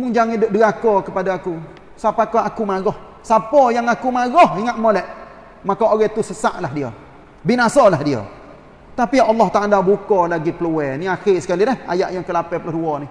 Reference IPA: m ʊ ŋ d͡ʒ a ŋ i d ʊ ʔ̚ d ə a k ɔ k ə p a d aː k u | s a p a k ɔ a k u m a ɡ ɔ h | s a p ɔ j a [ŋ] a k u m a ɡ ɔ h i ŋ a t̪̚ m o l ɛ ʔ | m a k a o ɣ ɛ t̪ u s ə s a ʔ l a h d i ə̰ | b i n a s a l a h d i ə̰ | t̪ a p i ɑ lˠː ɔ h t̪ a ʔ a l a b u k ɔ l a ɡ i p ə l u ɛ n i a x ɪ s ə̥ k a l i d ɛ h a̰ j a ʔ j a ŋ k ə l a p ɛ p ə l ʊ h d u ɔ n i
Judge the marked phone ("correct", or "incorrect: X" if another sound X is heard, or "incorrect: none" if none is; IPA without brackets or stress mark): correct